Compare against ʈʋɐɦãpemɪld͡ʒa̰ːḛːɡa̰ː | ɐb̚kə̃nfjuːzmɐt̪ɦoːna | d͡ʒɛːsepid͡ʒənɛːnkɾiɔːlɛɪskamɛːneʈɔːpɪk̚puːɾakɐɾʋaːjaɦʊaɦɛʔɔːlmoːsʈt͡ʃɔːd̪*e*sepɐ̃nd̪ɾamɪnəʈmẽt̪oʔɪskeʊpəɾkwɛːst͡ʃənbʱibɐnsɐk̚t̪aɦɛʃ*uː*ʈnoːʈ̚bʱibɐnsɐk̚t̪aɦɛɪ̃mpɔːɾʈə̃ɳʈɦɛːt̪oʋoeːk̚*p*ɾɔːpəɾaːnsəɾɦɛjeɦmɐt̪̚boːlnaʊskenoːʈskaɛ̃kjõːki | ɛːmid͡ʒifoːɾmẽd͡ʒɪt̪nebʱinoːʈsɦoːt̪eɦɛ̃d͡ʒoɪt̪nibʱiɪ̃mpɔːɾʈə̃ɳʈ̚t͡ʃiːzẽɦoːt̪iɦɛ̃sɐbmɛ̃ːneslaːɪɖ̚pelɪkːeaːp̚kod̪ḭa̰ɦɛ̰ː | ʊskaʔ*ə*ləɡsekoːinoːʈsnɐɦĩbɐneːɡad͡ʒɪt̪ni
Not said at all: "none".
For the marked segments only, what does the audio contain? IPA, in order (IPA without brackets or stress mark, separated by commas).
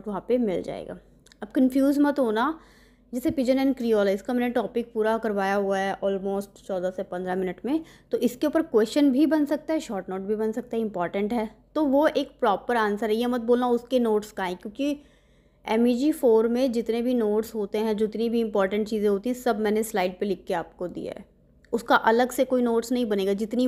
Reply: a, ɔː, p, ɐ